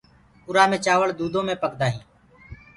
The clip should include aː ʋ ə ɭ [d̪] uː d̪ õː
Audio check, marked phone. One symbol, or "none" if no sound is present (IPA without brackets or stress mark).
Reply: d̪